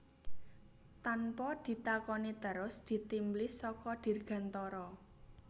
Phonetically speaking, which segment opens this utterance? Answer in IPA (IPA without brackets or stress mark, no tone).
t̪